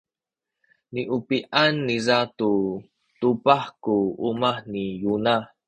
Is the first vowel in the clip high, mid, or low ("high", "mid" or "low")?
high